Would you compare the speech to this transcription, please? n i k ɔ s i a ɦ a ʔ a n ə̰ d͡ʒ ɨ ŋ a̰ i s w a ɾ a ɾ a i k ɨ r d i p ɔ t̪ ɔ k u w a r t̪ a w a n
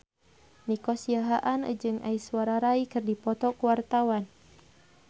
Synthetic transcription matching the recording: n i k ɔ s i a ɦ a ʔ a n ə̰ d͡ʒ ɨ ŋ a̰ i s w a ɾ a ɾ a i k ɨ r d i p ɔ t̪ ɔ k u w a r t̪ a w a n